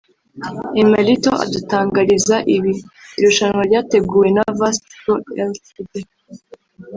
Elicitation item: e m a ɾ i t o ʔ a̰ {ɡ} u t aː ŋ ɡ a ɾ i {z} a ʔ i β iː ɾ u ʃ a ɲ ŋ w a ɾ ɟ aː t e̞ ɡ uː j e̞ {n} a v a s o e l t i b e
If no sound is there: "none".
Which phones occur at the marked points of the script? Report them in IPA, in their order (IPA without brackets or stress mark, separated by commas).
d, z, n